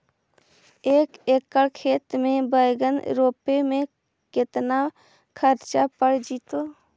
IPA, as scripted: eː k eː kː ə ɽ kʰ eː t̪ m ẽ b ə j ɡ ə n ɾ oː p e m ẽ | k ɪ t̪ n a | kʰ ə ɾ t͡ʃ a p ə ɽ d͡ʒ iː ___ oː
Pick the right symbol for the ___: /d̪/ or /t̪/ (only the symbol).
t̪